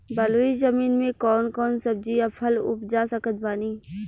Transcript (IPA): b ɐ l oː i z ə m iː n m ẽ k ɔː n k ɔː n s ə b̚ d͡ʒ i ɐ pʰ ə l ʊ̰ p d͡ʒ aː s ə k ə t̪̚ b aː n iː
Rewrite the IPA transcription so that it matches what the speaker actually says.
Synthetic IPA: b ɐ l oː i z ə m iː n m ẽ k ɔː n k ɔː n s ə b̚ d͡ʒ i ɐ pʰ ə l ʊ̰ p d͡ʒ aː s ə k ə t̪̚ b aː n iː